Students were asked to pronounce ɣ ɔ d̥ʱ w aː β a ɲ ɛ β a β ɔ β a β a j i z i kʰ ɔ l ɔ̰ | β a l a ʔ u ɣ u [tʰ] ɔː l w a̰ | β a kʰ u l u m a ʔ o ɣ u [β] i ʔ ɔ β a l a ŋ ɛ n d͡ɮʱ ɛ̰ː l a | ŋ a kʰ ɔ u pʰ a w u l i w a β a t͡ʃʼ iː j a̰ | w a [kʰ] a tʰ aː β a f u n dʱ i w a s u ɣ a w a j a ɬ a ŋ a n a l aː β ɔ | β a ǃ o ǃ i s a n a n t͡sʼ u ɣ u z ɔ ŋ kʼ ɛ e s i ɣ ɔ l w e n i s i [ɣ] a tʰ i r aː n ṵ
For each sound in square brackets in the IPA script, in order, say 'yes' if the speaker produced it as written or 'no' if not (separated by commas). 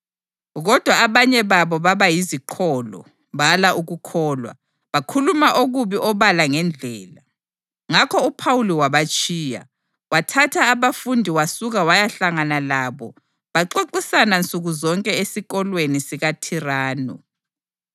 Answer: no, yes, no, yes